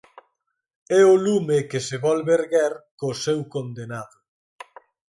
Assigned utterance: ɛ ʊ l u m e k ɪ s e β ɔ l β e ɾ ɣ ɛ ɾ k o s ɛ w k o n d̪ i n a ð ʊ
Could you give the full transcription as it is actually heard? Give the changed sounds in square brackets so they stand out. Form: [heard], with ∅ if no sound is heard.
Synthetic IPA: ɛ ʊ l u m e k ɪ s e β ɔ l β e ɾ ɣ ɛ ɾ k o s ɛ w k o n d̪ [e] n a ð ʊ